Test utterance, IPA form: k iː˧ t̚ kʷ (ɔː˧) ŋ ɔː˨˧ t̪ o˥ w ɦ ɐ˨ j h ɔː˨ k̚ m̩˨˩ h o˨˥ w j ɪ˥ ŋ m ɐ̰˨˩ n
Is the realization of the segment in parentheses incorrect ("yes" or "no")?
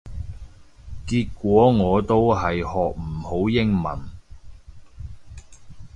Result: yes